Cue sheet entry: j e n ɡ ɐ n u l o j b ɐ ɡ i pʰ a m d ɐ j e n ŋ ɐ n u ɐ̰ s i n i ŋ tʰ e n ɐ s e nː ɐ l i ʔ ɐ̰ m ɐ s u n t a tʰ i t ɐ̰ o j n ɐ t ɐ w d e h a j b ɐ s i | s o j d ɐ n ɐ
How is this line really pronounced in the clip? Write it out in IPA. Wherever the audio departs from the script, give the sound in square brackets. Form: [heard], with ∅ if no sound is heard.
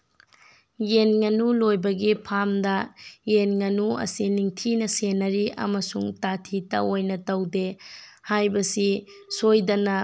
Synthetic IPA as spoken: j e n [ŋ] ɐ n u l o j b ɐ ɡ i pʰ a m d ɐ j e n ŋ ɐ n u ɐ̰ s i n i ŋ tʰ [i] n ɐ s e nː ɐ [ɾ] i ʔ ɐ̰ m ɐ s u [ŋ] t a tʰ i t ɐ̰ o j n ɐ t ɐ w d e h a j b ɐ s i | s o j d ɐ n ɐ